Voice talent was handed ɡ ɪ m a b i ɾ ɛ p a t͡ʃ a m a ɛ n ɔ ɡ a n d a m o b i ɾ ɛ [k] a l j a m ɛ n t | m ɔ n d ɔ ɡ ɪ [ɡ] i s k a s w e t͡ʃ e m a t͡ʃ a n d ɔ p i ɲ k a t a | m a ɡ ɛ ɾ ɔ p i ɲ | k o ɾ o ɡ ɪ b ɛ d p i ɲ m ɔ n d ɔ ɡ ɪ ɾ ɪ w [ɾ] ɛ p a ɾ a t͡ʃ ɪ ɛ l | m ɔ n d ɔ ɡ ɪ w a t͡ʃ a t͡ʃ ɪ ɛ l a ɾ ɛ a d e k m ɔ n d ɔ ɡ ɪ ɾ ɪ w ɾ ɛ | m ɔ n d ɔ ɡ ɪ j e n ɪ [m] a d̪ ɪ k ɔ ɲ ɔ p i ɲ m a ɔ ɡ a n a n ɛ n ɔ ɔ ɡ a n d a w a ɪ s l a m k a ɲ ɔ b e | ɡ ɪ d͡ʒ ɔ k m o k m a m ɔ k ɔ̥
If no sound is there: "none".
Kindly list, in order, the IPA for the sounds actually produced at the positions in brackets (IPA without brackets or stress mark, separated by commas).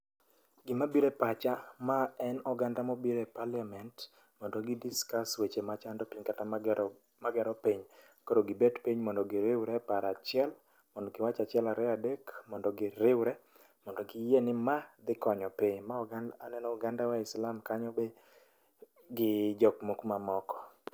p, d, ɾ, m